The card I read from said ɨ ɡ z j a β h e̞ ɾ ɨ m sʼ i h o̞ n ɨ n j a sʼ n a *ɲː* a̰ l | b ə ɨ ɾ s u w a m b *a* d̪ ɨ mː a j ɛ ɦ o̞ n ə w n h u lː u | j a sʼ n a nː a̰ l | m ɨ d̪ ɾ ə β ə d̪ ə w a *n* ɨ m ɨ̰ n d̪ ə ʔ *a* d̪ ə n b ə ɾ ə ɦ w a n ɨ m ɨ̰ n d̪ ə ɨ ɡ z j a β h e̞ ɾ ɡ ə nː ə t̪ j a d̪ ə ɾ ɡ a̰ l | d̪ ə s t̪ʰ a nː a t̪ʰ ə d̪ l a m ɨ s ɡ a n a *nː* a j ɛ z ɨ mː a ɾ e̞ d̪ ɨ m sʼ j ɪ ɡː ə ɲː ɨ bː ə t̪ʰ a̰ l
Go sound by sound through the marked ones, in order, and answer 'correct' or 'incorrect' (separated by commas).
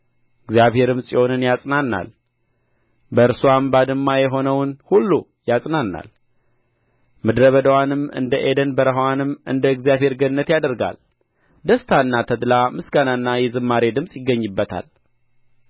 incorrect, correct, correct, incorrect, correct